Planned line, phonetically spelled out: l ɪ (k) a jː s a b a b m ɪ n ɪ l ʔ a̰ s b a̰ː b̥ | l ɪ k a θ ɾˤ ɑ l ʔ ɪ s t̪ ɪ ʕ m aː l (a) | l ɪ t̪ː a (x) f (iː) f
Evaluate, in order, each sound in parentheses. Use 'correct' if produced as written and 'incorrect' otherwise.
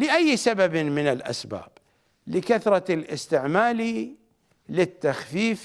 incorrect: ʔ, incorrect: i, correct, correct

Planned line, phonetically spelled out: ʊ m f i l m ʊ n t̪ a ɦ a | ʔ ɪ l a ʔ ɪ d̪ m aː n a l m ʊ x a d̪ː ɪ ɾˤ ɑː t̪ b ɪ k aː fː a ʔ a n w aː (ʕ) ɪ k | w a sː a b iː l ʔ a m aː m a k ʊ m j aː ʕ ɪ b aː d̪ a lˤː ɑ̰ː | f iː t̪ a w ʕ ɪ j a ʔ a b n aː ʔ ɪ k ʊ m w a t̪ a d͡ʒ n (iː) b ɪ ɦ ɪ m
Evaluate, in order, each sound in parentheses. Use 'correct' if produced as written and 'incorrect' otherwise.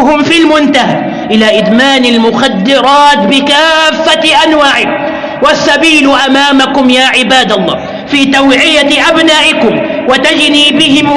correct, correct

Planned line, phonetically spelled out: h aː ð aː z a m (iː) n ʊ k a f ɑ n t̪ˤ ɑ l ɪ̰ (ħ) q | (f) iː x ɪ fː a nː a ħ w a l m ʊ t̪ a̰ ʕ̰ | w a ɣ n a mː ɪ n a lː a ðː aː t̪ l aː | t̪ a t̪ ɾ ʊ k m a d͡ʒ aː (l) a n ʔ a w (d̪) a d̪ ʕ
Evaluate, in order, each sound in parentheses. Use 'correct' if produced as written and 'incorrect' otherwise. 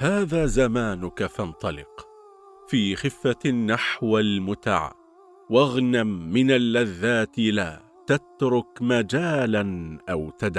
incorrect: aː, incorrect: none, correct, correct, incorrect: t̪

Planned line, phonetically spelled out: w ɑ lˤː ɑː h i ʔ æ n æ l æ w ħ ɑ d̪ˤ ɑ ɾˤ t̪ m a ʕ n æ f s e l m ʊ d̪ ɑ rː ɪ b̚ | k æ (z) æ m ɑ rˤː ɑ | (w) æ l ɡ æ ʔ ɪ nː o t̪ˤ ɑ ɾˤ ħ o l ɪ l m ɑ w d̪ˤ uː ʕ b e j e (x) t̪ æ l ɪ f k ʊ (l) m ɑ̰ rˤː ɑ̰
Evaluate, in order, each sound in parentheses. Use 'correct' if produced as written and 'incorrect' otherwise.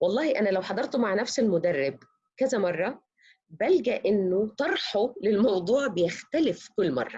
correct, incorrect: b, correct, incorrect: lː

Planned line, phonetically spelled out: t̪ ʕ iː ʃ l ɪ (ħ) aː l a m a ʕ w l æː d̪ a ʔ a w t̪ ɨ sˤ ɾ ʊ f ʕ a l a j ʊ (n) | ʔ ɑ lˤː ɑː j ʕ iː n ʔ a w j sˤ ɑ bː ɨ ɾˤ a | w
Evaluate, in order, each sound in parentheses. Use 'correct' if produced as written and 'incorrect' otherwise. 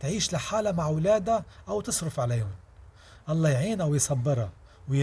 correct, correct

